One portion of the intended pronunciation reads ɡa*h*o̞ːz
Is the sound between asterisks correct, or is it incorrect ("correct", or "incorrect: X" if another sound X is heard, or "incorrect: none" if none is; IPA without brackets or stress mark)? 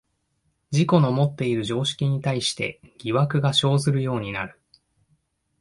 incorrect: ɕ